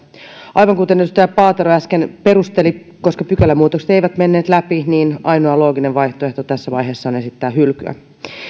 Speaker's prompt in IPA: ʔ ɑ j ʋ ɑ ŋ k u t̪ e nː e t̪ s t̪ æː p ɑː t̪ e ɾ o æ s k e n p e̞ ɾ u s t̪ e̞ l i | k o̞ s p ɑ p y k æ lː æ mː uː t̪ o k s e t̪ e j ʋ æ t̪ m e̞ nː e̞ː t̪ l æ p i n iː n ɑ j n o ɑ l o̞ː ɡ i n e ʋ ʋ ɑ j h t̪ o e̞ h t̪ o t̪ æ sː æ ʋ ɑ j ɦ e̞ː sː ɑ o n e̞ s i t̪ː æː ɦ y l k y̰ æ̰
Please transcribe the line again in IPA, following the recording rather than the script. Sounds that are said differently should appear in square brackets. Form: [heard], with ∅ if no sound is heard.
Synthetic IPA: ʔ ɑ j ʋ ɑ ŋ k u t̪ e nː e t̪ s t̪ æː p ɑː t̪ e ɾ o æ s k e n p e̞ ɾ u s t̪ e̞ l i | k o̞ s [k] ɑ p y k æ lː æ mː uː t̪ o k s e t̪ e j ʋ æ t̪ m e̞ nː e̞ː t̪ l æ p i n iː n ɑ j n o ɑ l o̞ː ɡ i n e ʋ ʋ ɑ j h t̪ o e̞ h t̪ o t̪ æ sː æ ʋ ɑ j ɦ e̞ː sː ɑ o n e̞ s i t̪ː æː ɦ y l k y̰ æ̰